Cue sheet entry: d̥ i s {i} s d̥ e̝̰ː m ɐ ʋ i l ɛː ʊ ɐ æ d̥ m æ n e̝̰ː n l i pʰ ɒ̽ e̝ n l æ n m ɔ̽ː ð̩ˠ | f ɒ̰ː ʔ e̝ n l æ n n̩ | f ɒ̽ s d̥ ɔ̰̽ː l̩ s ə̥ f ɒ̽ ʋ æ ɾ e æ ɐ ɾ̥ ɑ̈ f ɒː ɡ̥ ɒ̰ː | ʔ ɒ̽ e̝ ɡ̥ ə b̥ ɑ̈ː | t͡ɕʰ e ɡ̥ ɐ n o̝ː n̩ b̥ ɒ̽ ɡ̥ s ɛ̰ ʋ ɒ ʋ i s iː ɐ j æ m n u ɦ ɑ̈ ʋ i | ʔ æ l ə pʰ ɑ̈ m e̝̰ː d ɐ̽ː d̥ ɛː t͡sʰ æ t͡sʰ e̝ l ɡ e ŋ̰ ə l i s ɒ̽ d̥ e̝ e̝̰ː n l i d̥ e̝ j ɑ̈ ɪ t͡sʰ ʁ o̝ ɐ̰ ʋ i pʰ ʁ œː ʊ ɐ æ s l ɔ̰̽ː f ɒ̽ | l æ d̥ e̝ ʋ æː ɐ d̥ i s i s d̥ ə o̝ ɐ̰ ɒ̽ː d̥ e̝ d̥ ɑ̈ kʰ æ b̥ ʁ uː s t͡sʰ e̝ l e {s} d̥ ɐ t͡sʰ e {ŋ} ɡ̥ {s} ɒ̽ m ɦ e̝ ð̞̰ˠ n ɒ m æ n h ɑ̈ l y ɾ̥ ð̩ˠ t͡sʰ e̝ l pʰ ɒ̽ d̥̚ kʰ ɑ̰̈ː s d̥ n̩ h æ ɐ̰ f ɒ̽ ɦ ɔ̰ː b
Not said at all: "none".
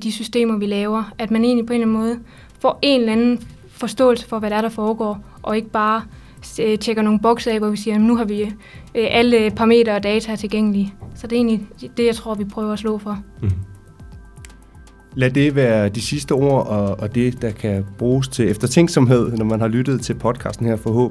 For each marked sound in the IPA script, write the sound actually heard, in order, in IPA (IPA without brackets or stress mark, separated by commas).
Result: y, f, ŋ, s